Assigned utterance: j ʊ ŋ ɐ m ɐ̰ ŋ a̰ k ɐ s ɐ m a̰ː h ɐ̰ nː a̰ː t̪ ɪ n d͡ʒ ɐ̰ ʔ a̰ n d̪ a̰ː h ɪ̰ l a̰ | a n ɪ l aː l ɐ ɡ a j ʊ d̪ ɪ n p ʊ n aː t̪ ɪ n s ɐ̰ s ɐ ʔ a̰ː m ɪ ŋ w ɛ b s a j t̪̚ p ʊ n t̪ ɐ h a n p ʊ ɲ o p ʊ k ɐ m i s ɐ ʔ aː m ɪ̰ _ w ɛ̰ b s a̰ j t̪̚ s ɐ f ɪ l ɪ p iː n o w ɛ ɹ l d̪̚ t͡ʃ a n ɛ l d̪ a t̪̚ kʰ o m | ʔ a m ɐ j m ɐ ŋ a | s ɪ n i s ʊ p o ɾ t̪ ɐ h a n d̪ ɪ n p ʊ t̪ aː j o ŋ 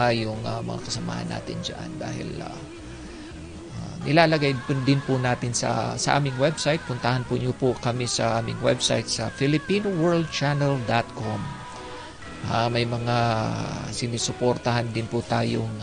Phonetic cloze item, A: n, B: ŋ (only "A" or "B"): B